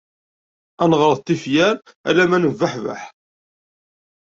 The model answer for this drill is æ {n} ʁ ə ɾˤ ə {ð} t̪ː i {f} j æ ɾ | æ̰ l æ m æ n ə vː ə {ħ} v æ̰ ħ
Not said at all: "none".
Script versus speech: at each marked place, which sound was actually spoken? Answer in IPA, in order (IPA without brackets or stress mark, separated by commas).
n, ð, f, ħ